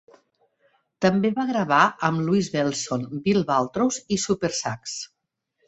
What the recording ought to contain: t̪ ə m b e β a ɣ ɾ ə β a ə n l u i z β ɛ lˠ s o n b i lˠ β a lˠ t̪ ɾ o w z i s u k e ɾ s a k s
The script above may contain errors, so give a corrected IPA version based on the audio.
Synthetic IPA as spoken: t̪ ə m b e β a ɣ ɾ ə β a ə m l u i z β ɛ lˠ s o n b i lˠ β a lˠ t̪ ɾ o w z i s u p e ɾ s a k s